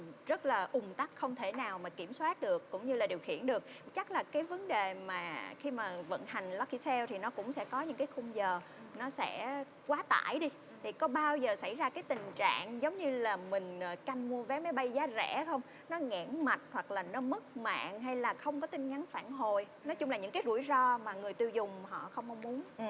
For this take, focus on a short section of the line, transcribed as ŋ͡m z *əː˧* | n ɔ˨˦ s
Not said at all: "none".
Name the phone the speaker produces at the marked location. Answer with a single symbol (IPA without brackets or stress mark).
əː˨˩